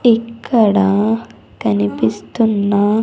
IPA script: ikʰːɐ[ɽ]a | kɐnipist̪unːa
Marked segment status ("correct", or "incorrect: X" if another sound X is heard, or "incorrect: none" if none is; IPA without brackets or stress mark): correct